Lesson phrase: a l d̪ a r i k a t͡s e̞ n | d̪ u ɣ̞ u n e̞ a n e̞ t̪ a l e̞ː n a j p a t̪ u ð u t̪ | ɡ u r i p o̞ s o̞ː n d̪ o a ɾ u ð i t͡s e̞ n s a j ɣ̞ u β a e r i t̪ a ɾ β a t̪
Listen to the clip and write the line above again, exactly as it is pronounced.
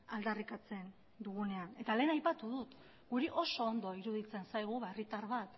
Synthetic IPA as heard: a l d̪ a r i k a t͡s e̞ n | d̪ u ɣ̞ u n e̞ a n e̞ t̪ a l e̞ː n a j p a t̪ u ð u t̪ | ɡ u ɾ i ʔ o̞ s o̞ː n d̪ o i ɾ u ð i t͡s e̞ n s a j ɣ̞ u β a e r i t̪ a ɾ β a t̪

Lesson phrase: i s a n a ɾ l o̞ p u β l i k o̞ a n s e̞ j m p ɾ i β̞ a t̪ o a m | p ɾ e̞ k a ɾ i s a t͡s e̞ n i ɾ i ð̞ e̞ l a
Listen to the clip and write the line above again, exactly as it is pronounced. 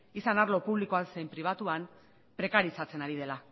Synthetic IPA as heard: i s a n a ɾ l o̞ p u β l i k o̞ a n s e̞ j m p ɾ i β̞ a t̪ u a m | p ɾ e̞ k a ɾ i s a t͡s e̞ n a ɾ i ð̞ e̞ l a

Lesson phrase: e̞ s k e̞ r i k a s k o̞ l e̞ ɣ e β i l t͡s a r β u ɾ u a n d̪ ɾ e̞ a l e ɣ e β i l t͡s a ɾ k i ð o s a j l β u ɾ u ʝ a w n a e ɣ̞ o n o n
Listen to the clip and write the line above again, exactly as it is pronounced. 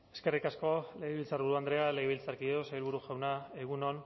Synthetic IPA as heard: e̞ s k e̞ r i k a s k o̞ l e̞ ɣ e β i l t͡s a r β u ɾ u a n d̪ ɾ e̞ a l e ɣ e β i l t͡s a ɾ k i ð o s a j l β u ɾ u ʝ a w n a e ɣ̞ u n o n

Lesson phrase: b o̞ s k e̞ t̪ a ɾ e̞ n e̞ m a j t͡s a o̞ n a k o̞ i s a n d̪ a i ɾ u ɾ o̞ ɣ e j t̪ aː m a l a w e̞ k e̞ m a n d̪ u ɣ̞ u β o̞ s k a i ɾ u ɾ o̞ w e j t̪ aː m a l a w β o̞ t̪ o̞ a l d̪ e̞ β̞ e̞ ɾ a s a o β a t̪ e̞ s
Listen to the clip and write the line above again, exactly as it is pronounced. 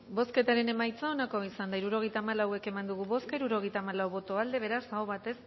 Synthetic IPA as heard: b o̞ s k e̞ t̪ a ɾ e̞ n e̞ m a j t͡s a o̞ n a k o̞ i s a n d̪ a i ɾ u ɾ o̞ ɣ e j t̪ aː m a l a w e̞ k e̞ m a n d̪ u ɣ̞ u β o̞ s k a i ɾ u ɾ o̞ ɣ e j t̪ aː m a l a w β o̞ t̪ o̞ a l d̪ e̞ β̞ e̞ ɾ a s a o β a t̪ e̞ s

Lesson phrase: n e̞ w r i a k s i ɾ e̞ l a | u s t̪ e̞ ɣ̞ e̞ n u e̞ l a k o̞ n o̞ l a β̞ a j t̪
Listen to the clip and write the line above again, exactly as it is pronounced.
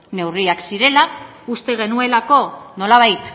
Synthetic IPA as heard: n e̞ w r i a k s i ɾ e̞ l a | u s t̪ e̞ ɣ̞ e̞ n u e̞ l a k o̞ n o̞ l a β̞ a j t̪

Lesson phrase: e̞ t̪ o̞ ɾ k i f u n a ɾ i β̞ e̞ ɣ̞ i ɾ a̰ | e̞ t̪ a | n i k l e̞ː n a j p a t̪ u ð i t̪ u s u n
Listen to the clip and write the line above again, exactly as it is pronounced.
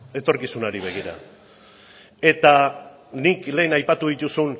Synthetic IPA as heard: e̞ t̪ o̞ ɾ k i s u n a ɾ i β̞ e̞ ɣ̞ i ɾ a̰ | e̞ t̪ a | n i k l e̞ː n a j p a t̪ u ð i t̪ u s u n

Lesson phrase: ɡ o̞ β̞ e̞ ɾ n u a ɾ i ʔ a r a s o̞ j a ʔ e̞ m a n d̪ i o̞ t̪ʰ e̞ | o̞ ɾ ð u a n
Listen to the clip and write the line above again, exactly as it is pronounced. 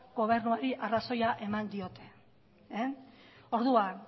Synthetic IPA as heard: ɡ o̞ β̞ e̞ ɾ n u a ɾ i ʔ a r a s o̞ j a ʔ e̞ m a n d̪ i o̞ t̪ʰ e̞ | o̞ ɾ ð u a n

